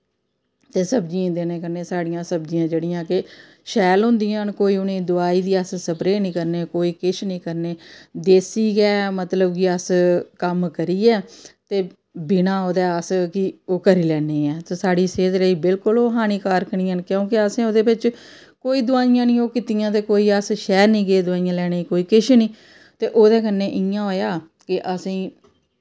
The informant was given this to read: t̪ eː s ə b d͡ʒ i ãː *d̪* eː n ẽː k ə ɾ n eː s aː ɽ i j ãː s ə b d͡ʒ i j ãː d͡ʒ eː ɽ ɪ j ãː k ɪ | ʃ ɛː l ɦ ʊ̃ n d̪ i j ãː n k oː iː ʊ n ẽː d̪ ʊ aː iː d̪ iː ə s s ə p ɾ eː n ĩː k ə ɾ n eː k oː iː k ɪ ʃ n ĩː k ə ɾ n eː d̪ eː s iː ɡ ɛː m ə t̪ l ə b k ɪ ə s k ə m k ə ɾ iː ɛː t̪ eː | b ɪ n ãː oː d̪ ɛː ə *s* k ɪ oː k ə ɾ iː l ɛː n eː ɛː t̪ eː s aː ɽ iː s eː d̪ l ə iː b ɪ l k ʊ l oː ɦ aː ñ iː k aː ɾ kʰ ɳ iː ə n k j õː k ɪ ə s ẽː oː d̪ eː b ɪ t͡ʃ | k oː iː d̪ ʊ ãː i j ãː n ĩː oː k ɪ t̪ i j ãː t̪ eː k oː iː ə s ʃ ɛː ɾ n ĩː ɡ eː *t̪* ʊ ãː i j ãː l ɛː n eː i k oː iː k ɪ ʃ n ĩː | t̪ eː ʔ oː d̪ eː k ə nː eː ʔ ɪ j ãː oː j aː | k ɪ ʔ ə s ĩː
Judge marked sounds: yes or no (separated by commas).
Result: yes, yes, no